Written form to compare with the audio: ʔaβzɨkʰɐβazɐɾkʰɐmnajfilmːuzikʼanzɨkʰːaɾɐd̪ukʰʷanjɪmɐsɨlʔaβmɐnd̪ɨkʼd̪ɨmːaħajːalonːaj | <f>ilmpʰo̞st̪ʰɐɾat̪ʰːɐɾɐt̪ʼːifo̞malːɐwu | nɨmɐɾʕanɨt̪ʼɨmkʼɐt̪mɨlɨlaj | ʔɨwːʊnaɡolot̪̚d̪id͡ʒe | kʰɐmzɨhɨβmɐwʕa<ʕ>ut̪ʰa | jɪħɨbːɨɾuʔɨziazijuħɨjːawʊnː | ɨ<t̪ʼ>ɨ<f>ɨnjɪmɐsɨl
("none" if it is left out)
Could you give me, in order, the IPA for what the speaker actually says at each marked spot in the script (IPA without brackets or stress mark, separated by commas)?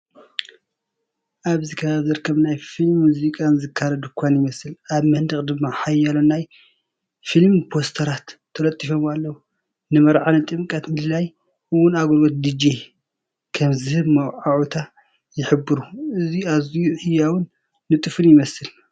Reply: f, ʕ, t̪ʼ, f